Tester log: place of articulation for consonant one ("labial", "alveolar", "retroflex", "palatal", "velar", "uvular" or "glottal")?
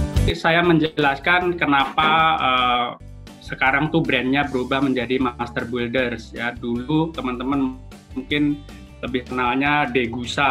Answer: alveolar